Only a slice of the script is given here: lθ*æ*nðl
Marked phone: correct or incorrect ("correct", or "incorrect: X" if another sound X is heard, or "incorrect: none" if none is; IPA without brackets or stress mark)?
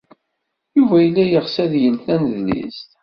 correct